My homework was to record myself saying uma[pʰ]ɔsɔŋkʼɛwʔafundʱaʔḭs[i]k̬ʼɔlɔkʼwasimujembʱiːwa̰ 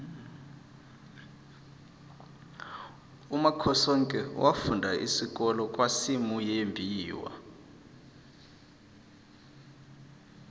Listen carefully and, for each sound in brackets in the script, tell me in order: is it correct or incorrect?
incorrect: kʰ, correct

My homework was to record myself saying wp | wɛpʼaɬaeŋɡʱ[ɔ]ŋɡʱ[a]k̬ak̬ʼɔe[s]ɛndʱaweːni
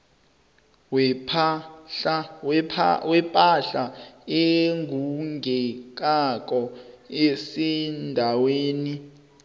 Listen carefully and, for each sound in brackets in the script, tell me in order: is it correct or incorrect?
incorrect: u, incorrect: ɛ, correct

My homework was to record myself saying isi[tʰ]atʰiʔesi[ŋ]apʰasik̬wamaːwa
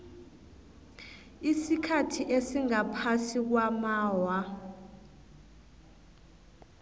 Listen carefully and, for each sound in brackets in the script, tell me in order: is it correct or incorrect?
incorrect: kʰ, correct

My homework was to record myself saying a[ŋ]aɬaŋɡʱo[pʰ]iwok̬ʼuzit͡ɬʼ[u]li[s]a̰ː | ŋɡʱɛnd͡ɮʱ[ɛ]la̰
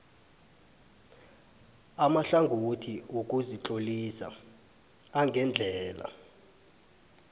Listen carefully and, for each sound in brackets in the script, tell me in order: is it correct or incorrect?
incorrect: m, incorrect: tʰ, incorrect: o, correct, incorrect: ɛː

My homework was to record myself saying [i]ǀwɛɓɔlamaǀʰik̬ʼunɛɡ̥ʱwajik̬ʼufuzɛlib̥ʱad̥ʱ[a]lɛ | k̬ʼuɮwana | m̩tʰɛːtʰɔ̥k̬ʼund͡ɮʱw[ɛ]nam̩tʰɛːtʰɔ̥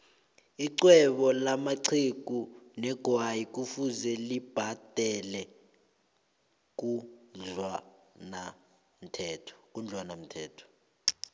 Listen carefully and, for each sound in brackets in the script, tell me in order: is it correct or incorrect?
correct, incorrect: ɛ, incorrect: a

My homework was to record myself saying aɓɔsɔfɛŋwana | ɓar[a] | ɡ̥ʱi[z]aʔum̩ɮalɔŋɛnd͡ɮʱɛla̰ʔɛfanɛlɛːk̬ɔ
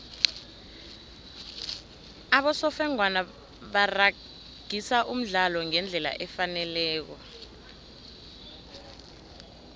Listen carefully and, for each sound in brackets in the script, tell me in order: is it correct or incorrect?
correct, incorrect: s

